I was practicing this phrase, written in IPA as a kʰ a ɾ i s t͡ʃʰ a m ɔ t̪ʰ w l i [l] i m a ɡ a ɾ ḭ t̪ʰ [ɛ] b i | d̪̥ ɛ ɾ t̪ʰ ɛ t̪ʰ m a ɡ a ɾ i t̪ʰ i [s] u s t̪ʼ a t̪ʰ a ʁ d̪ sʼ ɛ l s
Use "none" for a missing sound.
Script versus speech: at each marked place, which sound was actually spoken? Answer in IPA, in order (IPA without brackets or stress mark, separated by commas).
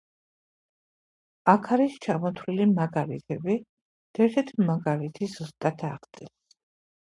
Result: l, ɛ, z